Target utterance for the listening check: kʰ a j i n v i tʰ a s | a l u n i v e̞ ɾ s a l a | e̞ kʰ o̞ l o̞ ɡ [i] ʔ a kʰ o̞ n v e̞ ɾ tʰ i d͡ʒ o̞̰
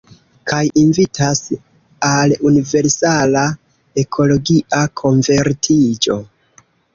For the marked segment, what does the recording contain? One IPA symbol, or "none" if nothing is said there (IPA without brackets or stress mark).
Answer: i